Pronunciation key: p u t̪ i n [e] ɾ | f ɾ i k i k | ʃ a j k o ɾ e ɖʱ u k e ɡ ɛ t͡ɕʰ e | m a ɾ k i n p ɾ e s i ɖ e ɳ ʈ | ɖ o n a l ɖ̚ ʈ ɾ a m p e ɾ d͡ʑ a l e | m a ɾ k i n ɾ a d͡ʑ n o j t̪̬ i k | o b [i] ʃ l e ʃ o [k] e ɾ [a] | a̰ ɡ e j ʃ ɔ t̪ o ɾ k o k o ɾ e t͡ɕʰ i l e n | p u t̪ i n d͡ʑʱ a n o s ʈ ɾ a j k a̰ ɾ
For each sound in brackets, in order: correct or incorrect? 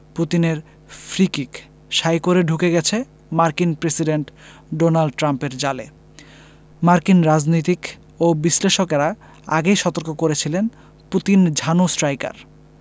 correct, correct, correct, correct

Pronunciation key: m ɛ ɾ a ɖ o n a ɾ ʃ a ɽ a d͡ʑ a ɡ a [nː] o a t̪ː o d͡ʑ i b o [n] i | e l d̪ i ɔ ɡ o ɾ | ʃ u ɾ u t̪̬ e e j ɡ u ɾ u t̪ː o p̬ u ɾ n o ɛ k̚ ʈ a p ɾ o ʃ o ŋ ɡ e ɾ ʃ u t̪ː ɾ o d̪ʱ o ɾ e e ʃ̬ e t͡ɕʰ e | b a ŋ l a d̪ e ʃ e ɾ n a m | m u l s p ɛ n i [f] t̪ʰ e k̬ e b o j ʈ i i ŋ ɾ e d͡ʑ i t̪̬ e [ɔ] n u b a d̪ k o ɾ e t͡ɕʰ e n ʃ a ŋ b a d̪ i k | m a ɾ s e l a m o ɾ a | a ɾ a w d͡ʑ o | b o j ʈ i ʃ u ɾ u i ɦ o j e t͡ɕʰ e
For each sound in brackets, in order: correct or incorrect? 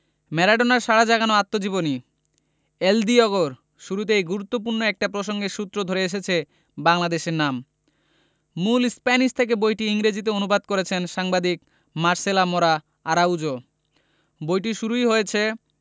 incorrect, correct, incorrect, incorrect

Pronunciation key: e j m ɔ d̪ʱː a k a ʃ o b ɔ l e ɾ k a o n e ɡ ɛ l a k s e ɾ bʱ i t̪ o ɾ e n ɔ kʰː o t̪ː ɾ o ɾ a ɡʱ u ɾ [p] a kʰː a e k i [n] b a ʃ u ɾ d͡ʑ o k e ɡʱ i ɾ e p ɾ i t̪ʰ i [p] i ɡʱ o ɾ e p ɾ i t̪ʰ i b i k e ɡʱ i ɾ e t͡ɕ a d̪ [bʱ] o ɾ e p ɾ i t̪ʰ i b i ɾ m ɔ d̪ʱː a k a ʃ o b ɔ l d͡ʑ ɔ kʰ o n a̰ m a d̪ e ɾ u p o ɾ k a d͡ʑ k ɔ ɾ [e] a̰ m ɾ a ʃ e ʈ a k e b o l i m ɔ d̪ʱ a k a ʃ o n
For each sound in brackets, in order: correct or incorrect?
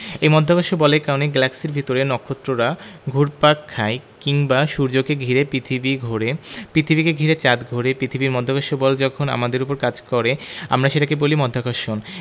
correct, incorrect, incorrect, incorrect, correct

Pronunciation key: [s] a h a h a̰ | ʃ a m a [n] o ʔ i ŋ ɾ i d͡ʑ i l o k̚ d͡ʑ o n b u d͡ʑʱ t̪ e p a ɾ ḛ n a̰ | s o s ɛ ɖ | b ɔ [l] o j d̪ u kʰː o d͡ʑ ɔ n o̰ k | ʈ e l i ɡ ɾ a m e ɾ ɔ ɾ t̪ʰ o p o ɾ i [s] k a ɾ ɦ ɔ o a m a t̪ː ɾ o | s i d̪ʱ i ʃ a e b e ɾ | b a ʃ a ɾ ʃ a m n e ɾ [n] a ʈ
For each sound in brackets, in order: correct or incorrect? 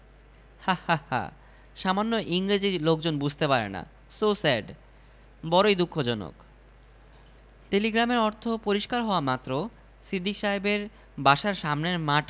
incorrect, incorrect, incorrect, incorrect, incorrect

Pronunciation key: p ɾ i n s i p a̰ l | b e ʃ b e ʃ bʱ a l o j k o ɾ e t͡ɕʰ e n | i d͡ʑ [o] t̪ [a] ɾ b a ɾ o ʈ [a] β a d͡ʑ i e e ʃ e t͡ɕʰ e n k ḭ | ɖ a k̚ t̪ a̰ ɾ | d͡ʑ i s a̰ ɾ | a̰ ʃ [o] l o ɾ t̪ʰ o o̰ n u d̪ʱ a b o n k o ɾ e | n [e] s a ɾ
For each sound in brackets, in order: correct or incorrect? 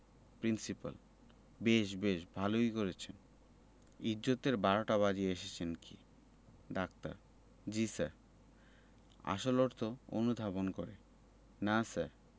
correct, incorrect, correct, correct, incorrect

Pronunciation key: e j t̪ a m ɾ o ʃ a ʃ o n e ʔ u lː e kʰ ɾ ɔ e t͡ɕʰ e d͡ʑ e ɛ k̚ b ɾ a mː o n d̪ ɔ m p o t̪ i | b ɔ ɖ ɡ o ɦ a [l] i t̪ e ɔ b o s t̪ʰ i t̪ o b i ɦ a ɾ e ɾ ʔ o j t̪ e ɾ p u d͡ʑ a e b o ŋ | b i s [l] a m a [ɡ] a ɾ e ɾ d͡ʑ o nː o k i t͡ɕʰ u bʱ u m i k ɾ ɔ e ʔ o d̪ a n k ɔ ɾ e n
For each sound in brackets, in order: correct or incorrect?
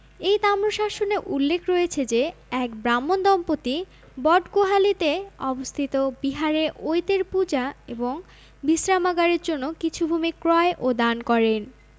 correct, incorrect, correct

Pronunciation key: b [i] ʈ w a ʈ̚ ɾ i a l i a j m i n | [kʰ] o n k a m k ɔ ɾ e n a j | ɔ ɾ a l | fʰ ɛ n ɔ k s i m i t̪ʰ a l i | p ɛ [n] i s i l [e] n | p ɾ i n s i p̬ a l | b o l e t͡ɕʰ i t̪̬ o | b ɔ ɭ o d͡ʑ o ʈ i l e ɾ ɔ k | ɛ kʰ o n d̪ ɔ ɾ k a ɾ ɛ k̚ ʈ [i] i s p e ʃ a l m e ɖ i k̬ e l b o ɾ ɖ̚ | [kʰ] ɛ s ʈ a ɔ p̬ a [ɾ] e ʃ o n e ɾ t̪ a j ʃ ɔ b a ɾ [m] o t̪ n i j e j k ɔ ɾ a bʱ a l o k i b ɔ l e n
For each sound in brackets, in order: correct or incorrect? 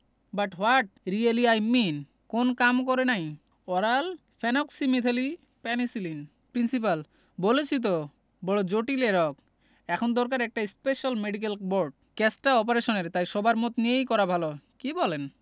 incorrect, incorrect, correct, incorrect, incorrect, incorrect, correct, correct

